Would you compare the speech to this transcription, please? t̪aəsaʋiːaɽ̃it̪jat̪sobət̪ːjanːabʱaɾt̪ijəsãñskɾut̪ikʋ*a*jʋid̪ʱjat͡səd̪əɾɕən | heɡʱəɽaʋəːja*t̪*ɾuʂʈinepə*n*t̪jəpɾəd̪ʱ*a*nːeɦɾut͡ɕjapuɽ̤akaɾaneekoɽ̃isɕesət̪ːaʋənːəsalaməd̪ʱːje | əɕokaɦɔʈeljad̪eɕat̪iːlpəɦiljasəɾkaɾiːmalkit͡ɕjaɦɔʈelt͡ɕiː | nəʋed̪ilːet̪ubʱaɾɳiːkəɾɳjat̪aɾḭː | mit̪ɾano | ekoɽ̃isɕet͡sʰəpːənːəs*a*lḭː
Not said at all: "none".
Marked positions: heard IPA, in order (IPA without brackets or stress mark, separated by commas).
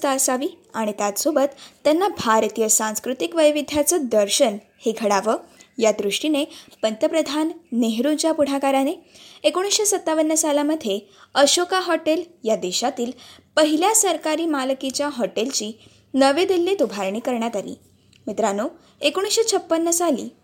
ə, d̪, n, a, a